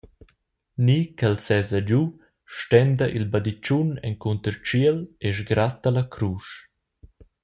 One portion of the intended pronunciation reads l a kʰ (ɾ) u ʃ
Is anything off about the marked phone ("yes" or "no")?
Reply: no